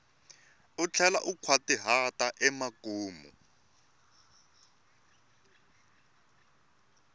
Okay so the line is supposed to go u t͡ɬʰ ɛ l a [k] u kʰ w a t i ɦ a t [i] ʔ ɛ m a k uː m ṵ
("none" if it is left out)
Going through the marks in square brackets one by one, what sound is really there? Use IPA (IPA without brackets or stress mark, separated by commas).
ʔ, a